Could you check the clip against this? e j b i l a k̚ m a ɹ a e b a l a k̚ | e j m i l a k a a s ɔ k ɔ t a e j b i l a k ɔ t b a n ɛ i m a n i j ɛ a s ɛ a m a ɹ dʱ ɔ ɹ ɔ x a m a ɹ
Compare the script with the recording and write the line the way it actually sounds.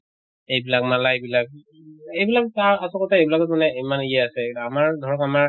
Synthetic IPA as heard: e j b i l a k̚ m a l a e b i l a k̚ | e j b i l a k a a s ɔ k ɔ t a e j b i l a k ɔ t m a n ɛ i m a n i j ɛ a s ɛ a m a ɹ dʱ ɔ ɹ ɔ k a m a ɹ

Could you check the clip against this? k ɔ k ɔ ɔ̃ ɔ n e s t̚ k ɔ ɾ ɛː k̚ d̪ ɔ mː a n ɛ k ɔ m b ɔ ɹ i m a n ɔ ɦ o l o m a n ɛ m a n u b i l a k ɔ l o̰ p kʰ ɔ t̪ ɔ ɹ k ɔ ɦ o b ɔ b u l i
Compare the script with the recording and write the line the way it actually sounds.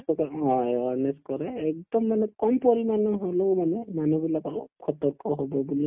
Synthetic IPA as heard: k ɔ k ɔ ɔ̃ ɔ n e s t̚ k ɔ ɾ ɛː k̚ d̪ ɔ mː a n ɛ k ɔ m p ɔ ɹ i m a n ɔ ɦ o l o m a n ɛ m a n u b i l a k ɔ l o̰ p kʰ ɔ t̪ ɔ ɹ k ɔ ɦ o b ɔ b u l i

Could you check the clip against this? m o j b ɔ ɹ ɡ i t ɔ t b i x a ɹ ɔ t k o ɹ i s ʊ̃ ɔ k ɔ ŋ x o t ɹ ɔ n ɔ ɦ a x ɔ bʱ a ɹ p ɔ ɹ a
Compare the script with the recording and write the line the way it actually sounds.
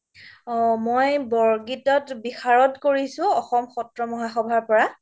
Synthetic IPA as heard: m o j b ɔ ɹ ɡ i t ɔ t b i x a ɹ ɔ t k o ɹ i s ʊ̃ ɔ x ɔ m x ɔ t ɹ ɔ m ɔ ɦ a x ɔ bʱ a ɹ p ɔ ɹ a

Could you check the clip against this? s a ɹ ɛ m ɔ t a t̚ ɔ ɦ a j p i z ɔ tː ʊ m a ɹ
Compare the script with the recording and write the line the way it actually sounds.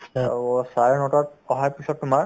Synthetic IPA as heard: s a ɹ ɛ n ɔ t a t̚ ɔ ɦ a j p i s ɔ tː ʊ m a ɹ

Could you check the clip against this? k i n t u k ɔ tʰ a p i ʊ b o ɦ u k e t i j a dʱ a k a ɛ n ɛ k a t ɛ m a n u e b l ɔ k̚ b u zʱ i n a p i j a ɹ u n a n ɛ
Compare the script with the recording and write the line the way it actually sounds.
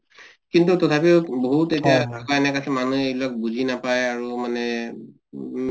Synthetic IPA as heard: k i n t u t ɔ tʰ a p i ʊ b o ɦ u t e t i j a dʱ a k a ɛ n ɛ k a s ɛ m a n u e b l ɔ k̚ b u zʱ i n a p a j a ɹ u m a n ɛ

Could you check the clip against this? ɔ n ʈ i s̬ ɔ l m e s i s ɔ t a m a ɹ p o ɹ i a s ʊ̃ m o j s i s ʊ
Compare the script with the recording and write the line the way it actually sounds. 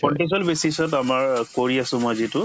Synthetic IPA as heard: ɔ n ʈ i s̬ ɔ l b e s i s ɔ t a m a ɹ k o ɹ i a s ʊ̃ m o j z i t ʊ

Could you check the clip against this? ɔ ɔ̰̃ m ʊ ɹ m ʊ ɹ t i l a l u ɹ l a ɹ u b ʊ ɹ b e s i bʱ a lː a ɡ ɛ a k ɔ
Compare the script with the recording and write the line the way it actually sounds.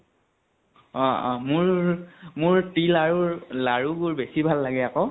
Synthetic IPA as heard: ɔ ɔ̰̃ m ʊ ɹ m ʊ ɹ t i l a ɹ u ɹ l a ɹ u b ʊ ɹ b e s i bʱ a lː a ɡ ɛ a k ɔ

